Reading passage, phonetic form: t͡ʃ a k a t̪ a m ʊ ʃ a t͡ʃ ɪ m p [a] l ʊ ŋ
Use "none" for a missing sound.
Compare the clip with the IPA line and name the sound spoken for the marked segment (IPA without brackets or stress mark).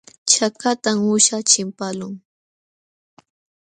a